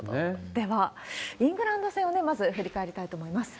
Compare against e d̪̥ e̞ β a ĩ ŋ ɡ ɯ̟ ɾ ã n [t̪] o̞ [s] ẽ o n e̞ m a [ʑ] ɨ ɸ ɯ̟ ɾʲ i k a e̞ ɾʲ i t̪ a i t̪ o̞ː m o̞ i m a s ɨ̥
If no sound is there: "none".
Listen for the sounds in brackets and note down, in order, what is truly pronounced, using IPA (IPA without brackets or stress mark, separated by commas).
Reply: d̪, s, z